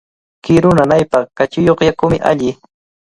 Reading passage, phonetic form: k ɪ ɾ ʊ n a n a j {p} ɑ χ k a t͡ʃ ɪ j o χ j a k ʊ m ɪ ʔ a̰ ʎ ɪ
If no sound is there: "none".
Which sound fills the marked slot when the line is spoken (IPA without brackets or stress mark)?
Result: p